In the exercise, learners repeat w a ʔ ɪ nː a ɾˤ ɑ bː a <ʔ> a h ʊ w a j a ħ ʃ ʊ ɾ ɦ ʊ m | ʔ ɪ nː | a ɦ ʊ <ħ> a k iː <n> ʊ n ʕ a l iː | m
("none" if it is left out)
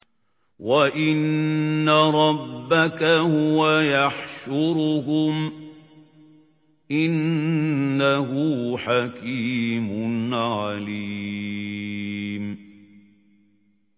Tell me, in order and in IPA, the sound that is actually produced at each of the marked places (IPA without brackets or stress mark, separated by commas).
k, ħ, m